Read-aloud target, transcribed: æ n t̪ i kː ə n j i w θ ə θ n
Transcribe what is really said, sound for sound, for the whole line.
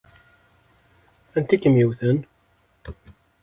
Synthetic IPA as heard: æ n t̪ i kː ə m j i w θ ə n